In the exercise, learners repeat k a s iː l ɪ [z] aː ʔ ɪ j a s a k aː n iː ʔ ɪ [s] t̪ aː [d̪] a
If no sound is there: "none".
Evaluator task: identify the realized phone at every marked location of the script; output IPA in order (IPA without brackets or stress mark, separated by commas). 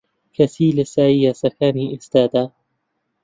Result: s, s, d̪